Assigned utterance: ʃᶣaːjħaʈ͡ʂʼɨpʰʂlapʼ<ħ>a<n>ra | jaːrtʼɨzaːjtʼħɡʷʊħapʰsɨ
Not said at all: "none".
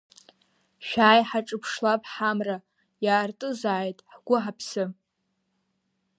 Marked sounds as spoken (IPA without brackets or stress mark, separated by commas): ħ, m